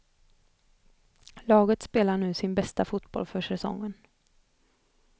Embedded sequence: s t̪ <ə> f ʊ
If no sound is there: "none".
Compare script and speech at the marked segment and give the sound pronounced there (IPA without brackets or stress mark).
a